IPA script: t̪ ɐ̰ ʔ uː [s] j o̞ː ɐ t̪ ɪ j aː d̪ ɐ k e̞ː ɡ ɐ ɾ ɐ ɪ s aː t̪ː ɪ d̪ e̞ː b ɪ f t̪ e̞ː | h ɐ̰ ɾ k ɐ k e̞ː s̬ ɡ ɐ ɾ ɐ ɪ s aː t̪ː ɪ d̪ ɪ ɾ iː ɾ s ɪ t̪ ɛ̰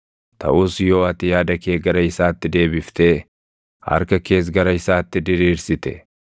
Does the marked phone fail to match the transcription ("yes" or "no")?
no